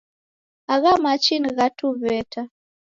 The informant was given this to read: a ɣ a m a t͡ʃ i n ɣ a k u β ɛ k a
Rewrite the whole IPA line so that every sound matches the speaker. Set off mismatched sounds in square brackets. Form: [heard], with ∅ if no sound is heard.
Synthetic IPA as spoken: a ɣ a m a t͡ʃ i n ɣ a [t] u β ɛ [t] a